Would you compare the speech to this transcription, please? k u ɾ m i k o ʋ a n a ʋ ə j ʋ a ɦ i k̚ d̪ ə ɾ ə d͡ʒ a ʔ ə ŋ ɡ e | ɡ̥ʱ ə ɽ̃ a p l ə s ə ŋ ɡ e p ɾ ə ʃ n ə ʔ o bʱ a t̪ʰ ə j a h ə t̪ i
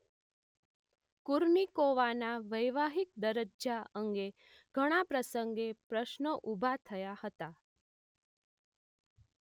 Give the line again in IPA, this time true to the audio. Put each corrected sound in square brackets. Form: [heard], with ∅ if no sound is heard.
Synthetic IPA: k u ɾ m i k o ʋ a n a ʋ ə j ʋ a ɦ i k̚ d̪ ə ɾ ə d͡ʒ a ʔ ə ŋ ɡ e | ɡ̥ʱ ə ɽ̃ a p [ɾ] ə s ə ŋ ɡ e p ɾ ə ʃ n ə ʔ [u] bʱ a t̪ʰ ə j a h ə t̪ [a]